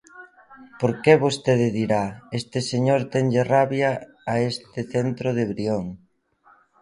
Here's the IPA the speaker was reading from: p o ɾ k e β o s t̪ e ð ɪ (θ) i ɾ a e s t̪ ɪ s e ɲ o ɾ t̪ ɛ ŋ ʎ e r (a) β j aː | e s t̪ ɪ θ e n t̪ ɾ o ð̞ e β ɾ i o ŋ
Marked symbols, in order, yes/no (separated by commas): no, yes